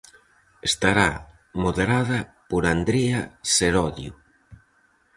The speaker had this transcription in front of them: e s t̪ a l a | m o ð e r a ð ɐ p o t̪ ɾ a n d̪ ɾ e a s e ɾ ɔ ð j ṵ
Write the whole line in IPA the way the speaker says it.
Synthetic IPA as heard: e s t̪ a ɾ a | m o ð e ɾ a ð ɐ p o ɾ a n d̪ ɾ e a s e ɾ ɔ ð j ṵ

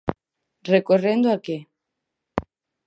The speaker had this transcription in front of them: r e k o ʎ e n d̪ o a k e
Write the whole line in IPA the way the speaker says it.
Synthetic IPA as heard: r e k o r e n d̪ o a k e

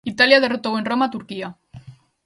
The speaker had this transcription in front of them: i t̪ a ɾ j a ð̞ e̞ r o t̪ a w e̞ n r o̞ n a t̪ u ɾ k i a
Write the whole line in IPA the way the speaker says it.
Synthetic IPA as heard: i t̪ a l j a ð̞ e̞ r o t̪ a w e̞ n r o̞ m a t̪ u ɾ k i a

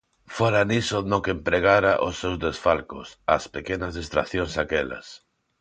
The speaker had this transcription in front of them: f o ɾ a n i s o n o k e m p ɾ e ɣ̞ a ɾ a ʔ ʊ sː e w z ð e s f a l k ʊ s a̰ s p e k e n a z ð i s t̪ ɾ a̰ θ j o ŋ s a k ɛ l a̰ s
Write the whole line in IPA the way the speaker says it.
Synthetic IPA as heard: f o ɾ a n i s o n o k e m p ɾ e ɣ̞ a ɾ a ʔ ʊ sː e w z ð e s f a l k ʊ s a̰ s p e k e n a z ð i s t̪ ɾ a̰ θ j o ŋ s a k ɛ l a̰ s

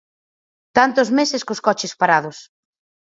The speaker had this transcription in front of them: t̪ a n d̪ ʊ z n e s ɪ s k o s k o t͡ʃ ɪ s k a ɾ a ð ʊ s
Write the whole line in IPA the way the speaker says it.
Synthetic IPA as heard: t̪ a n t̪ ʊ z m e s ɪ s k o s k ɔ t͡ʃ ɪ s p a ɾ a ð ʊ s

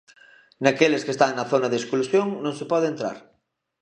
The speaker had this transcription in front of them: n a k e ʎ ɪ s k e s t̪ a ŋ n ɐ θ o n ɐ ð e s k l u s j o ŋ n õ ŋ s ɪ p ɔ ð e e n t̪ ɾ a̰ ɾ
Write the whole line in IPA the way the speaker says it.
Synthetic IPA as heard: n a k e l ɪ s k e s t̪ a ŋ n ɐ θ o n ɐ ð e s k l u s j o ŋ n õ ŋ s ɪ p ɔ ð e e n t̪ ɾ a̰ ɾ

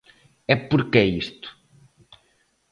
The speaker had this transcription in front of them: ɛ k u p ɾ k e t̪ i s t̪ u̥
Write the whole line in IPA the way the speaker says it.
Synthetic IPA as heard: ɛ p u ɾ k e i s t̪ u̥

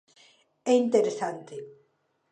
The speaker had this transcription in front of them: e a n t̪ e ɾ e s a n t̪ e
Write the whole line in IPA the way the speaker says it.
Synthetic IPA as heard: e i n t̪ e ɾ e s a n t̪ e

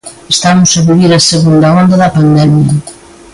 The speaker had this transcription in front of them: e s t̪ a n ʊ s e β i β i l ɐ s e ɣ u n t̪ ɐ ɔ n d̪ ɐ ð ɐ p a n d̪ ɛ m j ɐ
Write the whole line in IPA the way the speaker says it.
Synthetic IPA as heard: e s t̪ a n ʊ s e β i β i ɾ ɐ s e ɣ u n d̪ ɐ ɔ n d̪ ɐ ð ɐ p a n d̪ ɛ m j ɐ

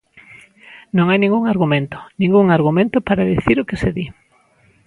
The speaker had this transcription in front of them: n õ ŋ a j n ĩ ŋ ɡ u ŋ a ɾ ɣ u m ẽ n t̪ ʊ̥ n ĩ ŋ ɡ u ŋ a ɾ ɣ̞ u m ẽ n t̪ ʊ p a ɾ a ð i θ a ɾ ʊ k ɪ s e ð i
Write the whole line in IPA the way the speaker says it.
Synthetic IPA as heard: n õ ŋ a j n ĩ ŋ ɡ u ŋ a ɾ ɣ u m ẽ n t̪ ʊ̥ n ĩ ŋ ɡ u ŋ a ɾ ɣ̞ u m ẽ n t̪ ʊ p a ɾ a ð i θ i ɾ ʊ k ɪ s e ð i

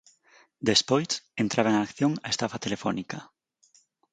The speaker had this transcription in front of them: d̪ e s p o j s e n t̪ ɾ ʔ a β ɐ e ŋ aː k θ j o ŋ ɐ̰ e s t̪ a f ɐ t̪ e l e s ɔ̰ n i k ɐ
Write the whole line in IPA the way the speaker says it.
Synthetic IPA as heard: d̪ e s p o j s e n t̪ ɾ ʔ a β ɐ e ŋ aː k θ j o ŋ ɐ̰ e s t̪ a f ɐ t̪ e l e f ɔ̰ n i k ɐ

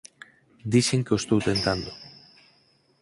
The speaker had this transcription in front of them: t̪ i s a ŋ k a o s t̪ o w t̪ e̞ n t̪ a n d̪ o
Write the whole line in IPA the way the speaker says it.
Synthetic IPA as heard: d̪ i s e ŋ k e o s t̪ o w t̪ e̞ n t̪ a n d̪ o

